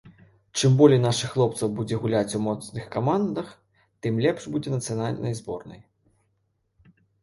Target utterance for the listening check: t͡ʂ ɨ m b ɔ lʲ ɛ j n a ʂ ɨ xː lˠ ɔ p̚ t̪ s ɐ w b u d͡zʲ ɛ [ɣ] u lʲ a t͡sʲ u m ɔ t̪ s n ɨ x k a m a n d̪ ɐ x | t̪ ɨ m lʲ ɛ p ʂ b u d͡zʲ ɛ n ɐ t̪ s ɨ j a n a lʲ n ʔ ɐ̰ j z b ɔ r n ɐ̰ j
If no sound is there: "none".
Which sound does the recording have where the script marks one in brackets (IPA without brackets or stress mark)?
ɣ